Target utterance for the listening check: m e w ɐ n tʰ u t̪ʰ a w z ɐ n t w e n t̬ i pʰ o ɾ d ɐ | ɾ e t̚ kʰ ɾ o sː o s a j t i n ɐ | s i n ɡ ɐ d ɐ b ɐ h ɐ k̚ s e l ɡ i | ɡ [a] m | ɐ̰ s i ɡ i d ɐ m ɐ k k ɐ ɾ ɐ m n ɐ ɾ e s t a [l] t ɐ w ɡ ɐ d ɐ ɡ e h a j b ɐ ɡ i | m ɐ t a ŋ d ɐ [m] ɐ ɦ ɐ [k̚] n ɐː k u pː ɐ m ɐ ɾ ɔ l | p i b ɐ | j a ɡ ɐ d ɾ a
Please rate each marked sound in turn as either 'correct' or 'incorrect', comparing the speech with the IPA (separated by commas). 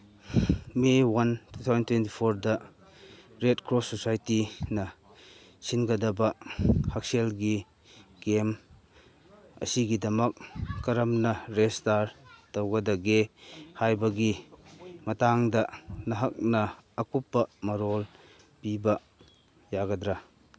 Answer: incorrect, incorrect, incorrect, correct